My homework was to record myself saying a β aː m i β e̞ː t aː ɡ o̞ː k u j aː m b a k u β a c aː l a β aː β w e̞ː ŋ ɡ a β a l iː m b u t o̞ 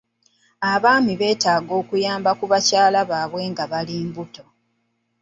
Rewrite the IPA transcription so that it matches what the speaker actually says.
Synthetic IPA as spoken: a β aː m i β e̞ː t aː ɡ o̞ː k u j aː m b a k u β a c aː l a β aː β w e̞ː ŋ ɡ a β a l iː m b u t o̞